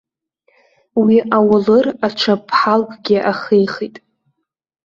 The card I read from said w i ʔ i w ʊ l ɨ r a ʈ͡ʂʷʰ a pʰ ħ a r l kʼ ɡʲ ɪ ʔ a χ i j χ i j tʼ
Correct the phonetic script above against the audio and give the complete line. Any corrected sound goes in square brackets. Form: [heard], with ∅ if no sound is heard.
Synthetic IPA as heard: w i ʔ [a] w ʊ l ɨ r a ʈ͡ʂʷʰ a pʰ ħ a [∅] l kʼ ɡʲ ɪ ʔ a χ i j χ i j tʼ